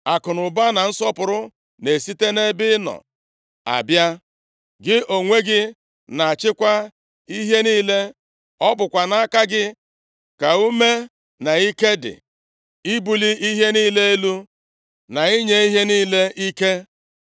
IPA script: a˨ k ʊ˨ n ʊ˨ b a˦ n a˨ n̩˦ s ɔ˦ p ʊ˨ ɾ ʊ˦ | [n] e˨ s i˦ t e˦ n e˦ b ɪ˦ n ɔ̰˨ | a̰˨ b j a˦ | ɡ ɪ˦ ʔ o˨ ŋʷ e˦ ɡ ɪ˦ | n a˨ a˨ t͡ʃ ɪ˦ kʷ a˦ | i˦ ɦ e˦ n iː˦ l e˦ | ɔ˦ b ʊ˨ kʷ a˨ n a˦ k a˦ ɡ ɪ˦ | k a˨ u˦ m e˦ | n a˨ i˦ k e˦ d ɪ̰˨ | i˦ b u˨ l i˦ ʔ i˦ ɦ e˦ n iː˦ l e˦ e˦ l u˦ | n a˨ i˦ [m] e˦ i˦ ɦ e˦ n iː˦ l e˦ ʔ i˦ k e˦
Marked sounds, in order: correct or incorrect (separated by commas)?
correct, incorrect